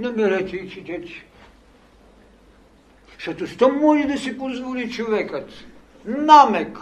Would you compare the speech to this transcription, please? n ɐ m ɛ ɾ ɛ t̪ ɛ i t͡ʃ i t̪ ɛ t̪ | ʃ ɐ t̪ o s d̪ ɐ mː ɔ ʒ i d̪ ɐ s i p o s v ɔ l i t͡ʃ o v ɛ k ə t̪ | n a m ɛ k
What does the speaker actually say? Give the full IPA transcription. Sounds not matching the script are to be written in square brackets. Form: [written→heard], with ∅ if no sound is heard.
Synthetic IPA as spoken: n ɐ m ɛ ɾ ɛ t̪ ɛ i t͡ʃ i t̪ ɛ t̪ | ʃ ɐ t̪ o s [d̪→t̪] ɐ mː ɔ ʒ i d̪ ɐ s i p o [s→z] v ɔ l i t͡ʃ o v ɛ k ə t̪ | n a m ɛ k